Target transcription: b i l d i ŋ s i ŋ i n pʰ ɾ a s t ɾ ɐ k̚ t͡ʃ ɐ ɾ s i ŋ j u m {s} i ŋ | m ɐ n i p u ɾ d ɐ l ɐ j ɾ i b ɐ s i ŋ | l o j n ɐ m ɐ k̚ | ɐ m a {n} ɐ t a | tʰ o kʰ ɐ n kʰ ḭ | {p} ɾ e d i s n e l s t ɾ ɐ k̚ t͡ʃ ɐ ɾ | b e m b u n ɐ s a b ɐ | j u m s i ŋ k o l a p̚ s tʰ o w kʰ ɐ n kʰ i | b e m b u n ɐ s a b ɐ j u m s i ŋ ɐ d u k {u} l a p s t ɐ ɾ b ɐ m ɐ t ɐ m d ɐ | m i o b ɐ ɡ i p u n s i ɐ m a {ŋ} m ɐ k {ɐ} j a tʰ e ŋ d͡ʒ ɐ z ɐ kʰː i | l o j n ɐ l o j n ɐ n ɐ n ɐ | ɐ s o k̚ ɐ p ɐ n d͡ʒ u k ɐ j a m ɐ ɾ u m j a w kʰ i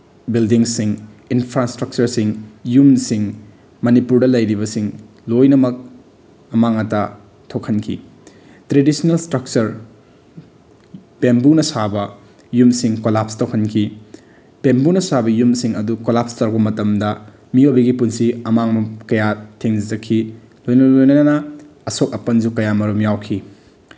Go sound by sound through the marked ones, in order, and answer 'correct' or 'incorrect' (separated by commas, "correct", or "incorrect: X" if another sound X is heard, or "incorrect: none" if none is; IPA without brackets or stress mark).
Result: correct, incorrect: ŋ, incorrect: t, incorrect: o, correct, correct